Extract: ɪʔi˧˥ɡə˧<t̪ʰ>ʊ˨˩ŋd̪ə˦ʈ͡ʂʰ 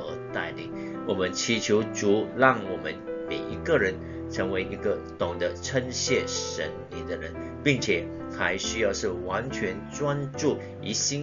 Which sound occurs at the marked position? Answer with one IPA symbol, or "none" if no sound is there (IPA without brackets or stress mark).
t̪